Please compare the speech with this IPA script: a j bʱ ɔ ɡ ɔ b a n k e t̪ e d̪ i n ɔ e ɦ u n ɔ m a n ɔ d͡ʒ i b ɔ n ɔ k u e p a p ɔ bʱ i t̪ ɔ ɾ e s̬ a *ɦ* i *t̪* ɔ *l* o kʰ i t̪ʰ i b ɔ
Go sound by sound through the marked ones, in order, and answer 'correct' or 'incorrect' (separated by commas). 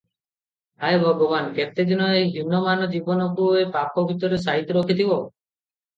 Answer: correct, correct, incorrect